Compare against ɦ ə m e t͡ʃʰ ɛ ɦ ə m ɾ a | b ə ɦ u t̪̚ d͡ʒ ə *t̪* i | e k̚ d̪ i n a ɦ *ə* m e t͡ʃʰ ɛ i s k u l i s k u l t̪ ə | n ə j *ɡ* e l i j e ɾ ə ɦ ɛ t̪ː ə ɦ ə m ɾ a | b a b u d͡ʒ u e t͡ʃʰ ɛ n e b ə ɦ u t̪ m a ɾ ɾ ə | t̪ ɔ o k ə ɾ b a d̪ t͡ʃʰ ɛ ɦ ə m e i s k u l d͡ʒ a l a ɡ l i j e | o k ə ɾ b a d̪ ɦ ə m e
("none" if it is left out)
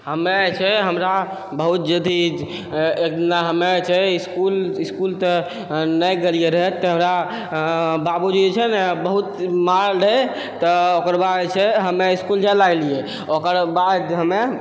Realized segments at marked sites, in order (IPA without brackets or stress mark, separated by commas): d̪, ə, ɡ